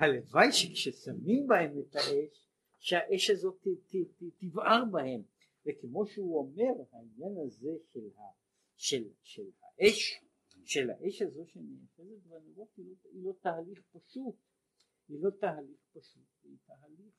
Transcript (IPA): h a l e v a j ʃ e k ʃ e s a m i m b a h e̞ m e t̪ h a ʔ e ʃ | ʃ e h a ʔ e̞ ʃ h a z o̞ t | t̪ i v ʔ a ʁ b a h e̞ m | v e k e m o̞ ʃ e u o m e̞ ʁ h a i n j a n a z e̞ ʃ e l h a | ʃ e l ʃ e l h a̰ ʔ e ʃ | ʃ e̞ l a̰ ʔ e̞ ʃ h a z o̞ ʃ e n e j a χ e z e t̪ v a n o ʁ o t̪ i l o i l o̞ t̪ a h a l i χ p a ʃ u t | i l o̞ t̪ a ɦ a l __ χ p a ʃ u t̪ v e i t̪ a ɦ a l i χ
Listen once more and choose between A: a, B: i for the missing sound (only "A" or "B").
B